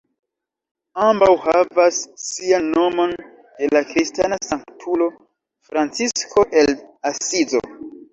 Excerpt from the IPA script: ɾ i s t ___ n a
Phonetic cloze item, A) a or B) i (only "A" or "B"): A